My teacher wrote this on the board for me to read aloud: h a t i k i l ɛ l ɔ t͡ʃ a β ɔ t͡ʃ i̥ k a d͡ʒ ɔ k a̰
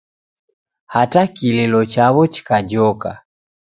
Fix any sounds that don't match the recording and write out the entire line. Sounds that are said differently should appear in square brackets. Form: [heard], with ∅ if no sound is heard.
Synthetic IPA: h a t [a] k i l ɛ l ɔ t͡ʃ a β ɔ t͡ʃ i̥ k a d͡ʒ ɔ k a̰